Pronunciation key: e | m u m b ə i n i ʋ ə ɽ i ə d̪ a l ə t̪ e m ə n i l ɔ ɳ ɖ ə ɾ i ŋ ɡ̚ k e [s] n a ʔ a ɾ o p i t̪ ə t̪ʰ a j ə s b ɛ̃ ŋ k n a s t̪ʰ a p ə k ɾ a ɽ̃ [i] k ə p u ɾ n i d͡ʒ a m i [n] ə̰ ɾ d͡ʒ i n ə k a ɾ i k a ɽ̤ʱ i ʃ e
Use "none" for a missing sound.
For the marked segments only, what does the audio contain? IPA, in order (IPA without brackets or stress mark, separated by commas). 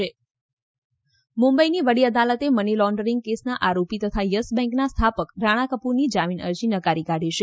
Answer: s, a, n